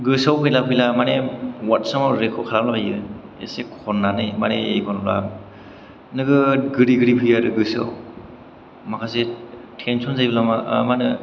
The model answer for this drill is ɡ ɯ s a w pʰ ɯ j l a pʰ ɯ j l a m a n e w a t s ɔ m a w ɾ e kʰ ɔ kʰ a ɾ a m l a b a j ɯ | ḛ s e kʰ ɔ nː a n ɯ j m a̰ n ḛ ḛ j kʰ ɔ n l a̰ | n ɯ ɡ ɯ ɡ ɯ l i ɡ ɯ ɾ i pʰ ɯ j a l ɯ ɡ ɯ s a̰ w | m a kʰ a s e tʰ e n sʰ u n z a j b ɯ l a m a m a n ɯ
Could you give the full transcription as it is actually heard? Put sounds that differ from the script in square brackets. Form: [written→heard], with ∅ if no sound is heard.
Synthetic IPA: ɡ ɯ s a w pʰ ɯ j l a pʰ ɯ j l a m a n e w a t s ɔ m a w ɾ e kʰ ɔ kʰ a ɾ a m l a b a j ɯ | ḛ s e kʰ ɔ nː a n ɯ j m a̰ n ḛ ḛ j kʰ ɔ n l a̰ | n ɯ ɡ ɯ ɡ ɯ [l→ɾ] i ɡ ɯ ɾ i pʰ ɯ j a [l→ɾ] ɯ ɡ ɯ s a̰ w | m a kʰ a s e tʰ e n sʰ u n z a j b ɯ l a m a m a n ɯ